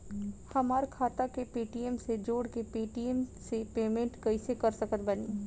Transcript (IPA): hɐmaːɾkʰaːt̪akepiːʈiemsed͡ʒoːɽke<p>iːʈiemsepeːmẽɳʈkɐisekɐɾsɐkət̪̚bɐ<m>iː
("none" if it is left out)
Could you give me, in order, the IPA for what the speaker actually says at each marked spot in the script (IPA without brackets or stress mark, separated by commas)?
p, n